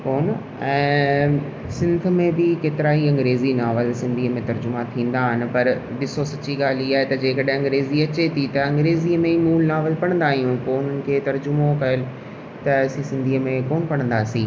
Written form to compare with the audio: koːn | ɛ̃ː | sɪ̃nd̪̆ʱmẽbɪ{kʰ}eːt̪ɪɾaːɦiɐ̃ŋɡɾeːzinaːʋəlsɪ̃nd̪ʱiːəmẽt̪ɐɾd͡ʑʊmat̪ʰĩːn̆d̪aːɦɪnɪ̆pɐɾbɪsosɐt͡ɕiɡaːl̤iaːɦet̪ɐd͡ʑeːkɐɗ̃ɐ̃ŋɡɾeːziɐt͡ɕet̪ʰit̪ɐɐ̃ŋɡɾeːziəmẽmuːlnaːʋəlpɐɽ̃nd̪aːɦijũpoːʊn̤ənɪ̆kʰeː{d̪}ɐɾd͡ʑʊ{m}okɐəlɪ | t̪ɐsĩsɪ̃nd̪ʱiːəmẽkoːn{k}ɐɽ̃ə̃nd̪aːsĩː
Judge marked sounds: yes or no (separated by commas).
no, no, yes, no